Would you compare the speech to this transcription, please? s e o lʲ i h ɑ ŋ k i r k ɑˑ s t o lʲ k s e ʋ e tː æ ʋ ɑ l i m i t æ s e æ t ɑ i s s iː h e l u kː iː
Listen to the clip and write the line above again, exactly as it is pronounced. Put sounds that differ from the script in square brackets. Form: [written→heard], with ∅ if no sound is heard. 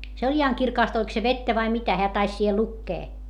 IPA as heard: s e o lʲ i h ɑ ŋ k i r k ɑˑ s t o lʲ k s e ʋ e tː æ ʋ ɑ [l→∅] i m i t æ [s→h] e æ t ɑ i s s iː h e l u kː [iː→eː]